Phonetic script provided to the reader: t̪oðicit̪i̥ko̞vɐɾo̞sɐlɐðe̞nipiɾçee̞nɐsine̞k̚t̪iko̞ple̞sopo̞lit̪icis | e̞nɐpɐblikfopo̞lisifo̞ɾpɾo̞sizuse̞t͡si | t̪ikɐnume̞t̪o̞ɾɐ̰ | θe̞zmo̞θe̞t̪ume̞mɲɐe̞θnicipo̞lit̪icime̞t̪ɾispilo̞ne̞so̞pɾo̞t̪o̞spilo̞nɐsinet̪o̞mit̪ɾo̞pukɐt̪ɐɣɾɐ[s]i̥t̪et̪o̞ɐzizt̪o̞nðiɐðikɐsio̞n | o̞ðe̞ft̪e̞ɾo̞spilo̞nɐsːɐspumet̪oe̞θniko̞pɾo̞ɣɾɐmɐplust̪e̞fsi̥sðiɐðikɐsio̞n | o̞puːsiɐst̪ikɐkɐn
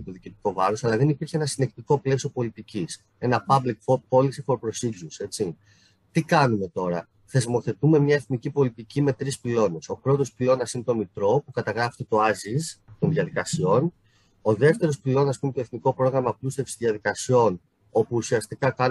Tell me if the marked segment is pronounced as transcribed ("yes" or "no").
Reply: no